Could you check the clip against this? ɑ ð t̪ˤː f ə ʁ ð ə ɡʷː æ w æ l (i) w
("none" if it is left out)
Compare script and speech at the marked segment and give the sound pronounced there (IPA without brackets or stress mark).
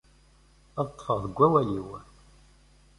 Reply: i